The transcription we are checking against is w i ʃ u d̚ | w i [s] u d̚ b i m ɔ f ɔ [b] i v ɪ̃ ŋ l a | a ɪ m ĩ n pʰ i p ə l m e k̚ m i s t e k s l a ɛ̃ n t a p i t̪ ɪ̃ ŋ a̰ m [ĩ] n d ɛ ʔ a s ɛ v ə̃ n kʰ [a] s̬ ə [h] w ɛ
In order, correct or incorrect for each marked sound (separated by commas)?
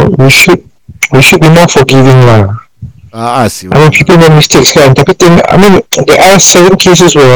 incorrect, incorrect, correct, incorrect, incorrect